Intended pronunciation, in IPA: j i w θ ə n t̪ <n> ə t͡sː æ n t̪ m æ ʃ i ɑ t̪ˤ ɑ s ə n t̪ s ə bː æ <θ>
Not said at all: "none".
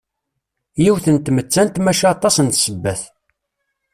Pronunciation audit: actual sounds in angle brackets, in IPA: m, θ

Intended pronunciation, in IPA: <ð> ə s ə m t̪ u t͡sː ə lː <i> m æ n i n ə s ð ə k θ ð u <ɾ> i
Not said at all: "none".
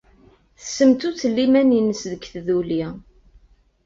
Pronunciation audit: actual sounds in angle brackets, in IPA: θ, i, l

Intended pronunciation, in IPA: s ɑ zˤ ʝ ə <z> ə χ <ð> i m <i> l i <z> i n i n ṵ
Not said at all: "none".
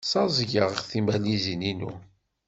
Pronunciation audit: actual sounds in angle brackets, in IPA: ʁ, θ, æ, z

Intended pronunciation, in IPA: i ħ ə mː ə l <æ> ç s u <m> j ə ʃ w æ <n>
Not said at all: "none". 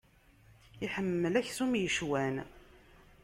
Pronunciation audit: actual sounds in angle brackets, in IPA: æ, m, n

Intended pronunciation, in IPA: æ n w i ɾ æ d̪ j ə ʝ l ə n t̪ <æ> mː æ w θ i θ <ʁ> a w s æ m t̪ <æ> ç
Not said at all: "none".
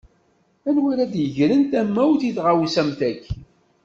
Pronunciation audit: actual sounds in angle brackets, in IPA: æ, ʁ, æ

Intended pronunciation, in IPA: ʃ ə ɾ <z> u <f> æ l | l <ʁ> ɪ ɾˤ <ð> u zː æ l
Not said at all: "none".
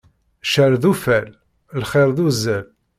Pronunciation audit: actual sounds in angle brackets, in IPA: ð, f, χ, ð

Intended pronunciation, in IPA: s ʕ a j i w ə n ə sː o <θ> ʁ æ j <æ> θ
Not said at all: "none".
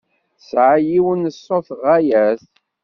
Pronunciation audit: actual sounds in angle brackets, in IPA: θ, æ

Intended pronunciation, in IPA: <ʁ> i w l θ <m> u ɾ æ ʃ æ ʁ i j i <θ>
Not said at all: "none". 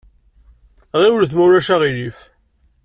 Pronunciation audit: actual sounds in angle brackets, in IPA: ʁ, m, f

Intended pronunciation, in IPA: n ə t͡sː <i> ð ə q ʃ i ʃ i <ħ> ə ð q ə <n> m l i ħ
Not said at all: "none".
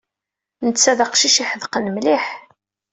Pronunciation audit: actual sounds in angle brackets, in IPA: æ, ħ, n

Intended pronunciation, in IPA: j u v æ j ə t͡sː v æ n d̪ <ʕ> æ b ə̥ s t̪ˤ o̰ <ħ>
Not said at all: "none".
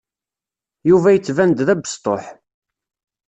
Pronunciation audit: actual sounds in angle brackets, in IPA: ð, ħ

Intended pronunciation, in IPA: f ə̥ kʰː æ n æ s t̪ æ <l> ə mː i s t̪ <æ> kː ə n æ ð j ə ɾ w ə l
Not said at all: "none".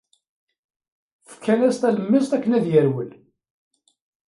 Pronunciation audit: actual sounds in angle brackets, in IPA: l, æ

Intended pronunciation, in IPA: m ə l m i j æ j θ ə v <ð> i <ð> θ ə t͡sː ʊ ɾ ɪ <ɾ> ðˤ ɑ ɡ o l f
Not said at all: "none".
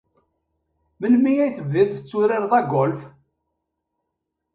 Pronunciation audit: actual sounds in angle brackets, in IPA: ð, ð, ɾ

